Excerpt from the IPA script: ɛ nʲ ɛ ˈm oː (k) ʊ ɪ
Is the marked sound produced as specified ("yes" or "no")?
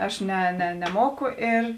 yes